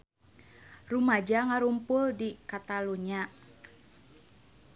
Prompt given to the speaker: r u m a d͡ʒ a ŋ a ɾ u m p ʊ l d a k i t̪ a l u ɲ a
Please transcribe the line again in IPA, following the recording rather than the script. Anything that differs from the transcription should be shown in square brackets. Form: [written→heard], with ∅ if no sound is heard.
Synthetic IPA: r u m a d͡ʒ a ŋ a ɾ u m p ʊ l d [a→i] k [i→a] t̪ a l u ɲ a

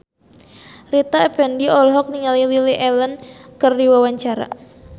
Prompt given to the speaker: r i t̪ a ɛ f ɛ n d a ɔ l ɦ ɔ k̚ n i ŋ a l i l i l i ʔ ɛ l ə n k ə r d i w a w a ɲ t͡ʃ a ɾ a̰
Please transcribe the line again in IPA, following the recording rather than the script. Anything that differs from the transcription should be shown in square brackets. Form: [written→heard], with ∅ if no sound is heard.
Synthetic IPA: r i t̪ a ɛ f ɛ n d [a→i] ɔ l ɦ ɔ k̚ n i ŋ a l i l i l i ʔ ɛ l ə n k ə r d i w a w a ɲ t͡ʃ a ɾ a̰

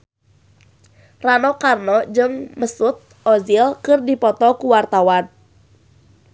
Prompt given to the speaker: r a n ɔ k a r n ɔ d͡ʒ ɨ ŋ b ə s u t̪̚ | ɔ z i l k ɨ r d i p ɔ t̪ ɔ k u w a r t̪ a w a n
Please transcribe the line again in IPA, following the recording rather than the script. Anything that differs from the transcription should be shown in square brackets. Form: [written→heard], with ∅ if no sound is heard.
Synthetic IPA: r a n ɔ k a r n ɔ d͡ʒ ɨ ŋ [b→m] ə s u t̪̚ | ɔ z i l k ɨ r d i p ɔ t̪ ɔ k u w a r t̪ a w a n

